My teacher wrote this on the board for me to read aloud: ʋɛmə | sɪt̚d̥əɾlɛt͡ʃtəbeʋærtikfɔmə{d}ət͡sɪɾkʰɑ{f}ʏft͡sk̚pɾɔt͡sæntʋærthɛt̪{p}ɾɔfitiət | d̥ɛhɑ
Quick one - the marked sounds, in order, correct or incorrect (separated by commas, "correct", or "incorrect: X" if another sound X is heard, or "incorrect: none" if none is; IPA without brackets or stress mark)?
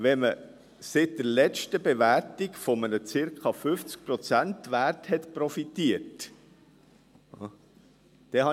incorrect: n, correct, correct